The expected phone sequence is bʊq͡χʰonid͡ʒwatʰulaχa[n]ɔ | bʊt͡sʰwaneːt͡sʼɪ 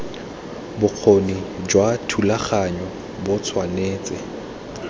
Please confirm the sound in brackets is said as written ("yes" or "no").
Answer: no